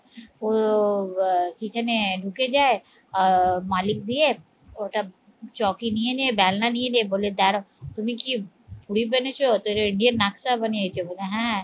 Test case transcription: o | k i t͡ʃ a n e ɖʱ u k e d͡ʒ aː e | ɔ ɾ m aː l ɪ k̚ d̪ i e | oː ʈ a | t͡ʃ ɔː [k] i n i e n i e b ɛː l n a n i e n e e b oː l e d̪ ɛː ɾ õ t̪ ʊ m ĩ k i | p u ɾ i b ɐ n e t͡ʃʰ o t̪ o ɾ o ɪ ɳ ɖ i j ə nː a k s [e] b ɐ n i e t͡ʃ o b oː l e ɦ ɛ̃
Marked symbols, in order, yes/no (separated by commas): yes, no